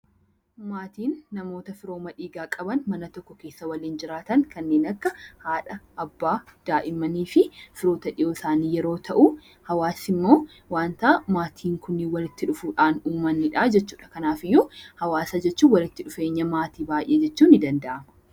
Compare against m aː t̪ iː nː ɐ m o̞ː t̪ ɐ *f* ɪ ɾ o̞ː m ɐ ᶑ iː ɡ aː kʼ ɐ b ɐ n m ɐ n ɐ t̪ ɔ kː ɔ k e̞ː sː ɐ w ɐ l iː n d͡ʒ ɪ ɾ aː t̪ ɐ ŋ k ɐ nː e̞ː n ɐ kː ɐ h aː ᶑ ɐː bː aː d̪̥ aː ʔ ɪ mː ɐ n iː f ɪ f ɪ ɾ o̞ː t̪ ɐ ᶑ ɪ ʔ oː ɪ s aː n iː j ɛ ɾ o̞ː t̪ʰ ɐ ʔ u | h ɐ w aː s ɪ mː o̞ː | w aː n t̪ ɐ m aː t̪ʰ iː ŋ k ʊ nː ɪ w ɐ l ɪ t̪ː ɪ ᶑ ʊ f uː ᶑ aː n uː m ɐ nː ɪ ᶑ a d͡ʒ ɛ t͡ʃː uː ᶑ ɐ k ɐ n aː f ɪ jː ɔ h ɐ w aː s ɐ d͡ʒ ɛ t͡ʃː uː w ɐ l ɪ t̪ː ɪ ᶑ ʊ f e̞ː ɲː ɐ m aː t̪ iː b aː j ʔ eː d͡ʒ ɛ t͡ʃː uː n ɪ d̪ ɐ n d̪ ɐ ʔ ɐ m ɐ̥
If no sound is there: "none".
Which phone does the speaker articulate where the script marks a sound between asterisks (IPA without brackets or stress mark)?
f